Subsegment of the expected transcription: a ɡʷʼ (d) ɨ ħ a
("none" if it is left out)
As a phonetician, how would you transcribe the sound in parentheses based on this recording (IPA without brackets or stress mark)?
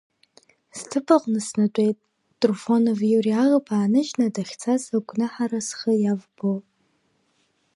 n